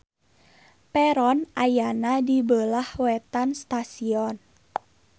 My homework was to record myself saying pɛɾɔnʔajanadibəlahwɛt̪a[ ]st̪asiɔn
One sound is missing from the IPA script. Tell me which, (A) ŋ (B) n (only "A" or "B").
B